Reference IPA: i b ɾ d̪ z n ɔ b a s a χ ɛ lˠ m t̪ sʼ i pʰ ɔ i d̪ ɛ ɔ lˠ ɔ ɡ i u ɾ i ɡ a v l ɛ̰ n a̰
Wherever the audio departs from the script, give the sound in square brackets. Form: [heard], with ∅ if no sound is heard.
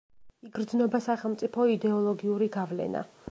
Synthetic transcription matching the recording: i [ɡ] ɾ d̪ z n ɔ b a s a χ ɛ lˠ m t̪ sʼ i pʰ ɔ i d̪ ɛ ɔ lˠ ɔ ɡ i u ɾ i ɡ a v l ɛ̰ n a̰